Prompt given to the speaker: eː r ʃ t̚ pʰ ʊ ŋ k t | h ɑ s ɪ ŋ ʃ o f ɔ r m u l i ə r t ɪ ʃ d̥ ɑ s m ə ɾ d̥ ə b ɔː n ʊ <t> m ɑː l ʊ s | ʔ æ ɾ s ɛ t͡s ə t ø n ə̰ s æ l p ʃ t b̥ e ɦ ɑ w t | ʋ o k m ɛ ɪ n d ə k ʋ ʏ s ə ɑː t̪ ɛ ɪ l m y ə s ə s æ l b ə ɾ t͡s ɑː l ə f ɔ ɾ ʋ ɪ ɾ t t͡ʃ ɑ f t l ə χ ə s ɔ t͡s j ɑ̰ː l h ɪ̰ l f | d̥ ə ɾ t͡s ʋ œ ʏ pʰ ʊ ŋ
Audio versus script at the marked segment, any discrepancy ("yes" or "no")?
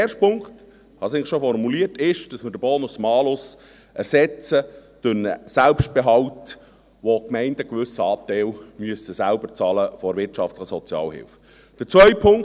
yes